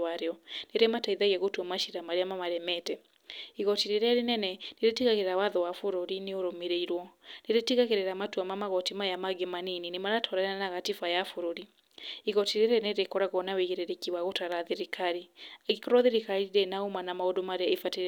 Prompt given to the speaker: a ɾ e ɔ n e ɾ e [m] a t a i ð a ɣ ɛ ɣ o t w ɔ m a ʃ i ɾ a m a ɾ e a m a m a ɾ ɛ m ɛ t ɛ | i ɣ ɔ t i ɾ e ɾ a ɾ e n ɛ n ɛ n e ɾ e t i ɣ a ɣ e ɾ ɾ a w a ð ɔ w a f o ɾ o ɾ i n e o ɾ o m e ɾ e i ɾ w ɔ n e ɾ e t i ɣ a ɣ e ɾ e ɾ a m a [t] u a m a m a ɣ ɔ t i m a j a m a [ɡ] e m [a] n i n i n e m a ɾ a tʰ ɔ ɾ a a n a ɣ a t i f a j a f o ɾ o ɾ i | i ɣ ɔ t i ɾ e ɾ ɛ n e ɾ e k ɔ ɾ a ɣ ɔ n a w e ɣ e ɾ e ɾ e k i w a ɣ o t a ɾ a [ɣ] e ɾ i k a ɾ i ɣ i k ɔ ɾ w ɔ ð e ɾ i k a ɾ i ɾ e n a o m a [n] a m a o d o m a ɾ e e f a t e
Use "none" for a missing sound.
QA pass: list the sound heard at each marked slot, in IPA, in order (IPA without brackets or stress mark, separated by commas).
m, t, ɡ, a, ð, n